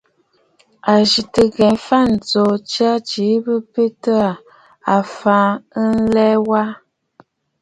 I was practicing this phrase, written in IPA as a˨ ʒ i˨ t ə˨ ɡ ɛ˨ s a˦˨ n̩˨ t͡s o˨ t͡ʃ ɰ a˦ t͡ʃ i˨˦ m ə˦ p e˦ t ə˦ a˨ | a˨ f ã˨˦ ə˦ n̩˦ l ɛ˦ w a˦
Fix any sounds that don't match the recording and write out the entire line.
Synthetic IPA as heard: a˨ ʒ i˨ t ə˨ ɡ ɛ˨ f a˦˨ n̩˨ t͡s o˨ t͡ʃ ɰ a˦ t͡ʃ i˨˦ b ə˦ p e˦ t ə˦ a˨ | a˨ f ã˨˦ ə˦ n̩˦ l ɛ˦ w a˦